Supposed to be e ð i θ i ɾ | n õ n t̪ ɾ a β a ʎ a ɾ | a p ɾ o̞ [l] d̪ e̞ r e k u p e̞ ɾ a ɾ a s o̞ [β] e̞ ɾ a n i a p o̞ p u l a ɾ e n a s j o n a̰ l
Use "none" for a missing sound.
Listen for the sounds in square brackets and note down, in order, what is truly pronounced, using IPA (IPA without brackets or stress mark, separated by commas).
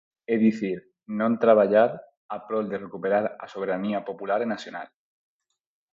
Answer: l, β